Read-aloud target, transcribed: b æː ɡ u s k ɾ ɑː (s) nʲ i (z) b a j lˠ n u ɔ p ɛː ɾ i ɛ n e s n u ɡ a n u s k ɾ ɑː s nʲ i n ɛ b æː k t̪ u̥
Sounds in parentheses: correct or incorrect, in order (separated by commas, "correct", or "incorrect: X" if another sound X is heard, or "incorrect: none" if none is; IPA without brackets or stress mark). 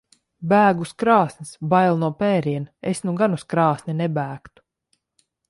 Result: correct, incorrect: s